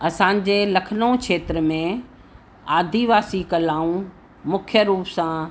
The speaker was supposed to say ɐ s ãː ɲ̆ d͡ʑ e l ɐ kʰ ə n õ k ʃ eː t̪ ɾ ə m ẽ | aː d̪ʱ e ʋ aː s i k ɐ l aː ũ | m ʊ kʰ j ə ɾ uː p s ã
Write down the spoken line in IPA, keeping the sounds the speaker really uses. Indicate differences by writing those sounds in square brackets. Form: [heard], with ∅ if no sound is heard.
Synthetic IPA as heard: ɐ s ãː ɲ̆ d͡ʑ e l ɐ kʰ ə n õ k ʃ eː t̪ ɾ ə m ẽ | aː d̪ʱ [i] ʋ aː s i k ɐ l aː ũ | m ʊ kʰ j ə ɾ uː p s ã